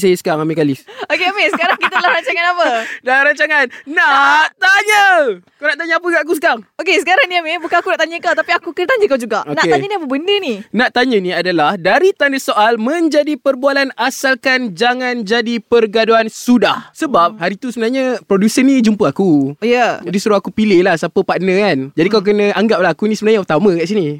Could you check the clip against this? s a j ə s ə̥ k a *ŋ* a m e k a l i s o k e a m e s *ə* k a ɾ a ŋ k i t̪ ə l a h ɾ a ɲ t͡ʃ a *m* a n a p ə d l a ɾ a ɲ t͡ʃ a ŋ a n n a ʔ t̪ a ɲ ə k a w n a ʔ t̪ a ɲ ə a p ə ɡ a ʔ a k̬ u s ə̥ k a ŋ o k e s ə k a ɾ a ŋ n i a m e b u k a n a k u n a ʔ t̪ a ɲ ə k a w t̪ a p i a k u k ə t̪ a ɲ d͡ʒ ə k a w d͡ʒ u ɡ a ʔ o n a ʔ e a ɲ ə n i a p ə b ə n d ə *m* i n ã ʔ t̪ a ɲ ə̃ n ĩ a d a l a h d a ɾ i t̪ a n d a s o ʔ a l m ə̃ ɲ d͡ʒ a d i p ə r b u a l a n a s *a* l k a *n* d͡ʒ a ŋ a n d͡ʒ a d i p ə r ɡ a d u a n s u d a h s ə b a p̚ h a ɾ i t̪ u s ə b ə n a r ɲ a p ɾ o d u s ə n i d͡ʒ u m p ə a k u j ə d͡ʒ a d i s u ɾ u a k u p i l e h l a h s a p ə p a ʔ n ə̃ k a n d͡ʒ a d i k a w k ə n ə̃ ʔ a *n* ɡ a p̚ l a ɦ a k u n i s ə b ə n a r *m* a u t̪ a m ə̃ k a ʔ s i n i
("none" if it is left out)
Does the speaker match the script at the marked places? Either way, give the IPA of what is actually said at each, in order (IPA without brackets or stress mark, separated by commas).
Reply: ŋ, ə, ŋ, n, a, n, ŋ, ɲ